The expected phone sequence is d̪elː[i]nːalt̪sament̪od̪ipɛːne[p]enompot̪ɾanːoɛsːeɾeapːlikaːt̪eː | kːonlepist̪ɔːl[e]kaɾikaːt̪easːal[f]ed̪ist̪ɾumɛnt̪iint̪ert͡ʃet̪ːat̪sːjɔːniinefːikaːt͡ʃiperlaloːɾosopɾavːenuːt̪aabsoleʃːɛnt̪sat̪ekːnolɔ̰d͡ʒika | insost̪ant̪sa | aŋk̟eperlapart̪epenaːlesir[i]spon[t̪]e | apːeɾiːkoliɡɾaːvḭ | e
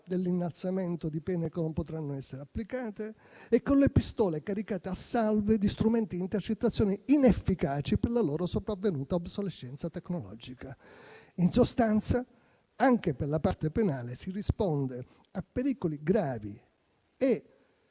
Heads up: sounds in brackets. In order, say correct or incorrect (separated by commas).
correct, incorrect, correct, incorrect, correct, incorrect